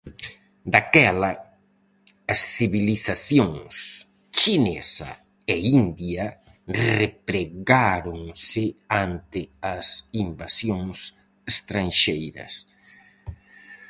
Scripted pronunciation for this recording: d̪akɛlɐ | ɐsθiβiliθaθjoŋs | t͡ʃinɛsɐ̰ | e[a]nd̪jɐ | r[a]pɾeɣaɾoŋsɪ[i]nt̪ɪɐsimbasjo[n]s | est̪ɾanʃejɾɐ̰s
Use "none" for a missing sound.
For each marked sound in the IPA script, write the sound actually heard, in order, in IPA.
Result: i, e, a, ŋ

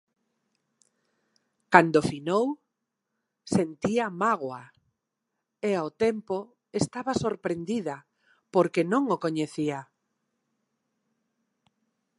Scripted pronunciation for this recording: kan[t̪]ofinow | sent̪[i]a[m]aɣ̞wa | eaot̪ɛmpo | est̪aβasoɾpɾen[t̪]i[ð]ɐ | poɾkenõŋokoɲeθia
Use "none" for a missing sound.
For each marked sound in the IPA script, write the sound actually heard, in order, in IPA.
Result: d̪, i, m, d̪, ð

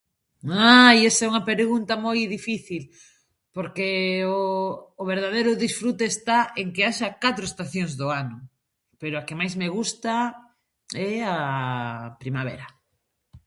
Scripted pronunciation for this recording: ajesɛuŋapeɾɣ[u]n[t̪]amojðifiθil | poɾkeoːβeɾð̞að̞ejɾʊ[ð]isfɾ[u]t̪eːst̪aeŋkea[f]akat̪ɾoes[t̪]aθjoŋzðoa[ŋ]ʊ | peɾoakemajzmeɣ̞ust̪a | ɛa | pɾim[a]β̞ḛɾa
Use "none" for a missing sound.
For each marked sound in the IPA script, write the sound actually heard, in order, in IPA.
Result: u, t̪, ð, u, ʃ, t̪, n, a

